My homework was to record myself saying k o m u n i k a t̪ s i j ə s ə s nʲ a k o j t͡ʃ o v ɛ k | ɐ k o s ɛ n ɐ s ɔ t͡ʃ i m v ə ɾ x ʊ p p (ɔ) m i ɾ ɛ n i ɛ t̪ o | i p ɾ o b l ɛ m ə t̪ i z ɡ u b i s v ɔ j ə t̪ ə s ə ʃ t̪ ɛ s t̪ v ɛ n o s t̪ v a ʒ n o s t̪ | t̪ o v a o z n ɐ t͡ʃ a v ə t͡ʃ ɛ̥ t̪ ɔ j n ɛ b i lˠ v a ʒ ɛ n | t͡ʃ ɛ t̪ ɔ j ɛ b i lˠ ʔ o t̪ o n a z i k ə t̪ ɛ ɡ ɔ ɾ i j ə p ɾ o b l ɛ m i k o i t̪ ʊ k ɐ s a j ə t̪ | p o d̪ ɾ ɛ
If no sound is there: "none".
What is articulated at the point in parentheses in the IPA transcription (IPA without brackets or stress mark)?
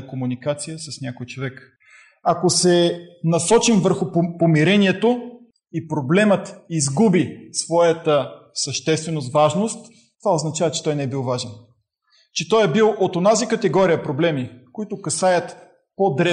o